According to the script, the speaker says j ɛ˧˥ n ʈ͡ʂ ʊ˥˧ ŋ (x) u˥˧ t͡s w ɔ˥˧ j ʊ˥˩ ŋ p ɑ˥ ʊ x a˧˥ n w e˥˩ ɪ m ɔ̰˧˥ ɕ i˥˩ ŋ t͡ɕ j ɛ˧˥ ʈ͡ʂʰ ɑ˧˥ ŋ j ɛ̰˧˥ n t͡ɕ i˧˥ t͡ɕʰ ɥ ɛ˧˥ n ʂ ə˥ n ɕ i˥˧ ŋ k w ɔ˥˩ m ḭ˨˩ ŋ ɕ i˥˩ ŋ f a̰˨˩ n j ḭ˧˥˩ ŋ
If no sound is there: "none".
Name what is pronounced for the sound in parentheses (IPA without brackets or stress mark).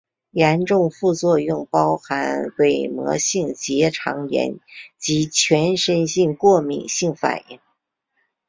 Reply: f